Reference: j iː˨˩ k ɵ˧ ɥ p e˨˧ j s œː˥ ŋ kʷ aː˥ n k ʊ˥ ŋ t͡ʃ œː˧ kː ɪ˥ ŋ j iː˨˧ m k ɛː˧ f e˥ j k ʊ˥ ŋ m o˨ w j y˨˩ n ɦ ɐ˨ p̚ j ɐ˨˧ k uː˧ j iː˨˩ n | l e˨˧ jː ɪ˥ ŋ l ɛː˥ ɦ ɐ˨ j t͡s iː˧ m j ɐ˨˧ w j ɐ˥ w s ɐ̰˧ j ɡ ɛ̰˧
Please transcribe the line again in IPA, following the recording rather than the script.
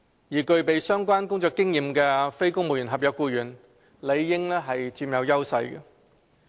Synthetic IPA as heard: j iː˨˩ k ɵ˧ ɥ p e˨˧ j s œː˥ ŋ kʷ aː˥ n k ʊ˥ ŋ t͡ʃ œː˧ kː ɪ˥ ŋ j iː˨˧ m k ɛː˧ f e˥ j k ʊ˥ ŋ m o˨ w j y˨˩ n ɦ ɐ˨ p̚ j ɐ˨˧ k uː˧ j yː˨˩ n | l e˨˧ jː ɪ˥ ŋ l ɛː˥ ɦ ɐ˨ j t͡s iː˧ m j ɐ˨˧ w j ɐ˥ w s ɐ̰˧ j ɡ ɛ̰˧